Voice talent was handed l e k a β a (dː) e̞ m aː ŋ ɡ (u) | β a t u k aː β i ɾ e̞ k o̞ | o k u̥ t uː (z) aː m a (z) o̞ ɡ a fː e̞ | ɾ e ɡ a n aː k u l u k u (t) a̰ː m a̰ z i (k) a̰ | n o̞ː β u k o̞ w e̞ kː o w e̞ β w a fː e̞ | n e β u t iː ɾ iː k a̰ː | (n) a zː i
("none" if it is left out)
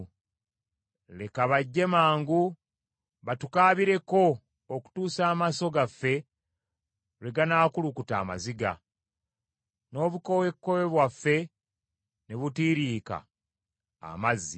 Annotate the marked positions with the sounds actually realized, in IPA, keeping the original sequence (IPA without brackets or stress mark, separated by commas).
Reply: ɟː, u, s, s, t, ɡ, m